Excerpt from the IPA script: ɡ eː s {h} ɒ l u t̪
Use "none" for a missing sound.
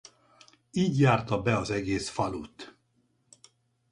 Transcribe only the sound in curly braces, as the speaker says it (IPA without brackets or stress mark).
f